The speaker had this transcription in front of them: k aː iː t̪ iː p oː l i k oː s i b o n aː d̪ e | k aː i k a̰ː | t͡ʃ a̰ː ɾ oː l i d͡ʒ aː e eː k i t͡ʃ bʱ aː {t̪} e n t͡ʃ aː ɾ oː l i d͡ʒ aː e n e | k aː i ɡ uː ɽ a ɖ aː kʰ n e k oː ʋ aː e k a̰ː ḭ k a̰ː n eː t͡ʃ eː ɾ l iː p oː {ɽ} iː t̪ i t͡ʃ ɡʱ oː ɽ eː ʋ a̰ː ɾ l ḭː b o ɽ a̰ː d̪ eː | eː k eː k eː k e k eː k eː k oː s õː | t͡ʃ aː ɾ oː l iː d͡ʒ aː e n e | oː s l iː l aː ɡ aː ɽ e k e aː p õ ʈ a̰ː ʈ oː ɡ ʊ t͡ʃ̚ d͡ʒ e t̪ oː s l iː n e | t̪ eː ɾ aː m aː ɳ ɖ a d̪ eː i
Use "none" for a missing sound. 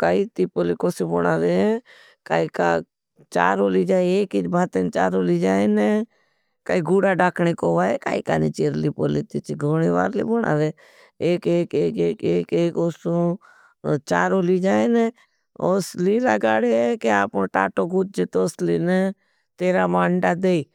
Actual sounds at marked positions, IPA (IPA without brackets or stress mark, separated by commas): t̪, l